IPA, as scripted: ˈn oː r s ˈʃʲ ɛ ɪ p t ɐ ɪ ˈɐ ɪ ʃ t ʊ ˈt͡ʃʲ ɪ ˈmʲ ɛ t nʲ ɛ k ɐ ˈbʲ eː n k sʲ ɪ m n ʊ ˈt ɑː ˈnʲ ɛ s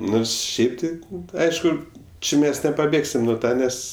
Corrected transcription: ˈn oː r s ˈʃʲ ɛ ɪ p t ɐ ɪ ˈɐ ɪ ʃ k ʊ ˈt͡ʃʲ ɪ ˈmʲ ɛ s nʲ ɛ p ɐ ˈbʲ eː k sʲ ɪ m n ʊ ˈt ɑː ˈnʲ ɛ s